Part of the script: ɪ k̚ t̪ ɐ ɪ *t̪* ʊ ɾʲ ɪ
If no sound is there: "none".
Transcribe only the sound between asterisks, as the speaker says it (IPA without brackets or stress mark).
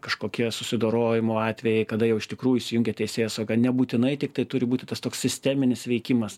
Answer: t̪